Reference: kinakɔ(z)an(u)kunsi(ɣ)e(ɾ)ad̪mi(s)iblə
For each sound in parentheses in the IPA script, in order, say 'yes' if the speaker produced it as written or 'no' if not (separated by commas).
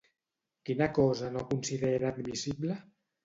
yes, no, no, yes, yes